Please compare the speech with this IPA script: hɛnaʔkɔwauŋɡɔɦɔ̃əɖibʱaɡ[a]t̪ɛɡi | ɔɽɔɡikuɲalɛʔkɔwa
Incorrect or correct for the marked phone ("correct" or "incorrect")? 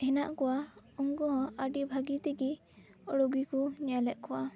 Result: incorrect